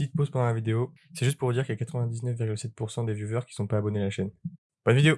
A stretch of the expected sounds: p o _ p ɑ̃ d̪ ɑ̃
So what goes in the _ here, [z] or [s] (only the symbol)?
z